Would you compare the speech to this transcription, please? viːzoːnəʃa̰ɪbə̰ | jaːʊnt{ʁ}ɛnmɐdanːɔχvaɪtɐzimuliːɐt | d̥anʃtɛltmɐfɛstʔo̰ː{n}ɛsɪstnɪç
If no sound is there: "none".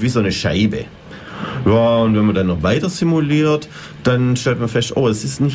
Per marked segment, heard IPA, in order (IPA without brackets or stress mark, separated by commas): v, none